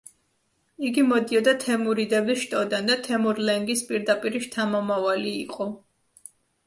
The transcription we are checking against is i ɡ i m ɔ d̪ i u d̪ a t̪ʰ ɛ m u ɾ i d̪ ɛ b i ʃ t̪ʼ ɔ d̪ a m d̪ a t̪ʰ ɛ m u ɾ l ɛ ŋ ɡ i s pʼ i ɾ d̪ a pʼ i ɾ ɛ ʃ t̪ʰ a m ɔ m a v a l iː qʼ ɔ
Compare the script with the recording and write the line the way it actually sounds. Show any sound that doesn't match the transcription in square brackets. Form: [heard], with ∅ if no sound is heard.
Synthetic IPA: i ɡ i m ɔ d̪ i [ɔ] d̪ a t̪ʰ ɛ m u ɾ i d̪ ɛ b i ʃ t̪ʼ ɔ d̪ a [n] d̪ a t̪ʰ ɛ m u ɾ l ɛ ŋ ɡ i s pʼ i ɾ d̪ a pʼ i ɾ [i] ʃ t̪ʰ a m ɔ m a v a l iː qʼ ɔ